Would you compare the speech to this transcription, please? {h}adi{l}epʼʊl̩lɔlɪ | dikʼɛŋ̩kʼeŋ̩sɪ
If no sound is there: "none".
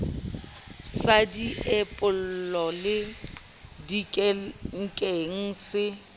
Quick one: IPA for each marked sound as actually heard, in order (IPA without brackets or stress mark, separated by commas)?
s, none